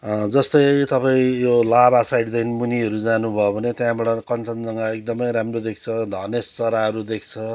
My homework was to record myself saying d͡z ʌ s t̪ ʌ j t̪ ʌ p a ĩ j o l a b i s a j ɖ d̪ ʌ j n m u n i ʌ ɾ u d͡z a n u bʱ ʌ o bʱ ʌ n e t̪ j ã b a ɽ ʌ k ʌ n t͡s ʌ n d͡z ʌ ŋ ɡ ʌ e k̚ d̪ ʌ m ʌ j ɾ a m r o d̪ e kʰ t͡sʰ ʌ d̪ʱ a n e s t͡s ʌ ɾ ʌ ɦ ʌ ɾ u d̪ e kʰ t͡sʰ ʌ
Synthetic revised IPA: d͡z ʌ s t̪ ʌ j t̪ ʌ p a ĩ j o l a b a s a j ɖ d̪ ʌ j n m u n i ʌ ɾ u d͡z a n u bʱ ʌ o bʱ ʌ n e t̪ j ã b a ɽ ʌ k ʌ n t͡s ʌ n d͡z ʌ ŋ ɡ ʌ e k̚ d̪ ʌ m ʌ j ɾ a m r o d̪ e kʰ t͡sʰ ʌ d̪ʱ ʌ n e s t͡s ʌ ɾ a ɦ ʌ ɾ u d̪ e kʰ t͡sʰ ʌ